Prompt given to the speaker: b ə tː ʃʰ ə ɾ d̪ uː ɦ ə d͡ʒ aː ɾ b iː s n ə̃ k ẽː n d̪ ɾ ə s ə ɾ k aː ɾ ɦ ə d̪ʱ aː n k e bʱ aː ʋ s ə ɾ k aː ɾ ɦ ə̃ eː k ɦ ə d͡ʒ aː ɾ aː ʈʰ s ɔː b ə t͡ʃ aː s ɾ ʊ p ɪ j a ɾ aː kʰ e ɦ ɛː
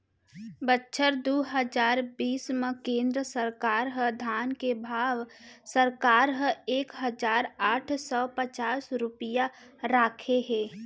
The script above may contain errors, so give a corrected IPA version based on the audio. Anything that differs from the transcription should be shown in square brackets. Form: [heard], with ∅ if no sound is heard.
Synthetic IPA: b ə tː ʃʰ ə ɾ d̪ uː ɦ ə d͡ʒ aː ɾ b iː s [m] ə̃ k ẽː n d̪ ɾ ə s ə ɾ k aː ɾ ɦ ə d̪ʱ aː n k e bʱ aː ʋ s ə ɾ k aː ɾ ɦ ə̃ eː k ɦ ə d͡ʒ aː ɾ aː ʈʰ s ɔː [p] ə t͡ʃ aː s ɾ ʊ p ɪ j a ɾ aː kʰ e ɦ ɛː